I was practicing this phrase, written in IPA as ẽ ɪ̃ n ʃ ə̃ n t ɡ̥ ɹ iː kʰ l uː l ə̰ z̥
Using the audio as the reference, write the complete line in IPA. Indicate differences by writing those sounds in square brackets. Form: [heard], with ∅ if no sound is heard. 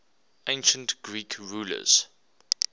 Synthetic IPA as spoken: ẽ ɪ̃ n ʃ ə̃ n t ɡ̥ ɹ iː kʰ [ɹ] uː l ə̰ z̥